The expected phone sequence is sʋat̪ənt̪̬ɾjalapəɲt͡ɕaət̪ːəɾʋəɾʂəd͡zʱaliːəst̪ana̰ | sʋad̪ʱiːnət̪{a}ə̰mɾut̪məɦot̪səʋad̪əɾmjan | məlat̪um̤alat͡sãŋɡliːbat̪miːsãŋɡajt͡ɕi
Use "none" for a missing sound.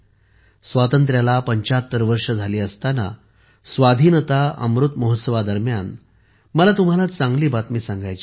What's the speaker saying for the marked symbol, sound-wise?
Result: a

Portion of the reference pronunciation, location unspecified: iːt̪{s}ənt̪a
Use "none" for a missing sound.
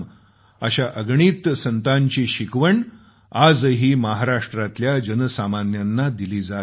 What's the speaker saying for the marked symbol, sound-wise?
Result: s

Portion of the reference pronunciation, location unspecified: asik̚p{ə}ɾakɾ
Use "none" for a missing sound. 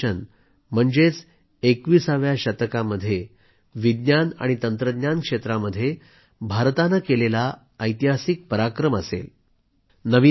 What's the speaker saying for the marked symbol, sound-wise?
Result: ə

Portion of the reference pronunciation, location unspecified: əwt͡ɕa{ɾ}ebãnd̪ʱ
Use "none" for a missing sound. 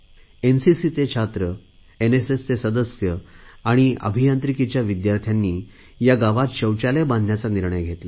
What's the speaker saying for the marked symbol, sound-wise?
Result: l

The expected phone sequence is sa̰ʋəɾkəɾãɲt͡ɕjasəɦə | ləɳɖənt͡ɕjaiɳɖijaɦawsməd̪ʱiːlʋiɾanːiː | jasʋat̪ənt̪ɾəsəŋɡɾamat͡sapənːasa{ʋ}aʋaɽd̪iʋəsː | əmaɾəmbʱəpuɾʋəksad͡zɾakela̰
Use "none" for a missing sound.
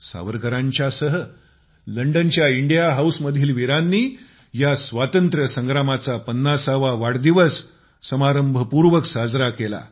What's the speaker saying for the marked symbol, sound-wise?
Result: ʋ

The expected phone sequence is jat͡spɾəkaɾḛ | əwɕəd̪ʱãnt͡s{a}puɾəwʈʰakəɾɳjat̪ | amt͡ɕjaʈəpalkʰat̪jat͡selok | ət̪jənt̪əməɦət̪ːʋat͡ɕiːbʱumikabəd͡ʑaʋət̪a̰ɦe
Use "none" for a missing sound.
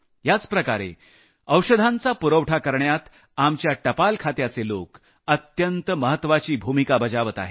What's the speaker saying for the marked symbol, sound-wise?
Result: a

